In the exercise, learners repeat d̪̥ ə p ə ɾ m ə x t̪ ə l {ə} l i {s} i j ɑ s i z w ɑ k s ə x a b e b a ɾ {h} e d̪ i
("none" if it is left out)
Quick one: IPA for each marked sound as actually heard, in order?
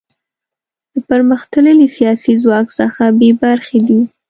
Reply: ə, s, x

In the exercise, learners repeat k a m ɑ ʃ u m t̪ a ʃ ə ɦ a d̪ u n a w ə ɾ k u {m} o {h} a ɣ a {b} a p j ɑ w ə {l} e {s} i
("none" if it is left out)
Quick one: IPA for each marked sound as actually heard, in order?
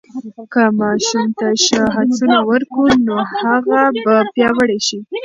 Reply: n, h, b, ɽ, ʃ

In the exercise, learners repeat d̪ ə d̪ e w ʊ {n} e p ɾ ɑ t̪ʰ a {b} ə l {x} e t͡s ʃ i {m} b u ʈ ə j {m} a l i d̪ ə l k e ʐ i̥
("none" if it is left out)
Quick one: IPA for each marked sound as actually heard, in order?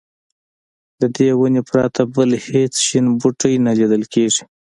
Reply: n, b, h, n, n

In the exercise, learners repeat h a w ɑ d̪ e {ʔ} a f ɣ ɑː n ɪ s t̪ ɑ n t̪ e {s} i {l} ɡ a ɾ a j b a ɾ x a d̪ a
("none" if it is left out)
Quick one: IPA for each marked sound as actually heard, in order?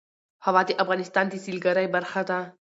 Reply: ʔ, s, l

